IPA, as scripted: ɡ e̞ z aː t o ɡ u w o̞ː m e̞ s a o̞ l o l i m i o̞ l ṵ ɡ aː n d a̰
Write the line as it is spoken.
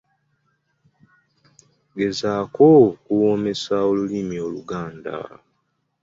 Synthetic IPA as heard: ɡ e̞ z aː k o k u w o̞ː m e̞ s a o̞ l u l i m i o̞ l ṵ ɡ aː n d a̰